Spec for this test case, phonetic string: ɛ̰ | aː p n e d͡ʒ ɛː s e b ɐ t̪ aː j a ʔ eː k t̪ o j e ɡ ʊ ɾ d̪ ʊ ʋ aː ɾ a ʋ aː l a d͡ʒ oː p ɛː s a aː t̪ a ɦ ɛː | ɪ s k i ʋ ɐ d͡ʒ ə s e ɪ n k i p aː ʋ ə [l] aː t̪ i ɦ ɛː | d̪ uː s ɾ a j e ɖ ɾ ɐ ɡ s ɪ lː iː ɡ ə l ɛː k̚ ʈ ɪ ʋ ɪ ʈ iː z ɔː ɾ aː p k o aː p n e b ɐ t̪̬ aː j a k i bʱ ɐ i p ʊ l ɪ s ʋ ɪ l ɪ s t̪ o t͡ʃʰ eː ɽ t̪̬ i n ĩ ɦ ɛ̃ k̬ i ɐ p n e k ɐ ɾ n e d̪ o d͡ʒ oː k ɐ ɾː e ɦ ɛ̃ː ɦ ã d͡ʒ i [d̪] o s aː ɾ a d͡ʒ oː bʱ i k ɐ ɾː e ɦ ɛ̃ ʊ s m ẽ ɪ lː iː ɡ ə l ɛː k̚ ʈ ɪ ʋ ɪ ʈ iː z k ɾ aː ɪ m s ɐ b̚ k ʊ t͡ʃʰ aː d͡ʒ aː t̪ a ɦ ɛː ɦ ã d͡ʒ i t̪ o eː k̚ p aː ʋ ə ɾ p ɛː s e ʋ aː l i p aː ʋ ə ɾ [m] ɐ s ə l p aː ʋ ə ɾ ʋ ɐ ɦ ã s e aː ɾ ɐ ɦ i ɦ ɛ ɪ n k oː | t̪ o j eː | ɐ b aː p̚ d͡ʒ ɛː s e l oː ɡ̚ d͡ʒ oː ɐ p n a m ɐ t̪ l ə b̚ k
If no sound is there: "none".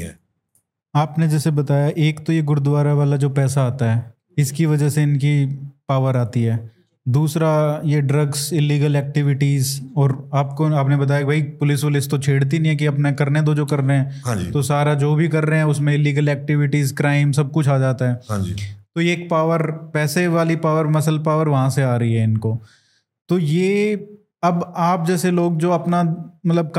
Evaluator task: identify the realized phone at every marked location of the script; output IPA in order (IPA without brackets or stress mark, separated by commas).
ɾ, t̪, m